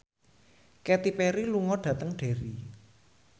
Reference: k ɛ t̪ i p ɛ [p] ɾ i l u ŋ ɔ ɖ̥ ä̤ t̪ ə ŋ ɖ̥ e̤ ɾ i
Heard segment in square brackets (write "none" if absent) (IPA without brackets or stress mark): none